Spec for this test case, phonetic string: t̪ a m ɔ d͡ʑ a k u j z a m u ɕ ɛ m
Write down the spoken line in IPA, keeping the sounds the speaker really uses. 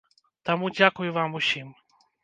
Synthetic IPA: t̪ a m u d͡ʑ a k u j v a m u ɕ i m